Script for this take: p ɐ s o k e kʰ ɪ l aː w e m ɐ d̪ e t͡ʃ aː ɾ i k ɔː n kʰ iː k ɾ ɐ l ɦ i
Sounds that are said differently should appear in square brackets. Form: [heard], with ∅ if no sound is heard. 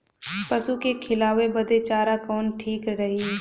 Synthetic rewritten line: p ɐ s [u] k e kʰ ɪ l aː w e [b] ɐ d̪ e t͡ʃ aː ɾ [a] k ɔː n [ʈʰ] iː k ɾ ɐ [∅] ɦ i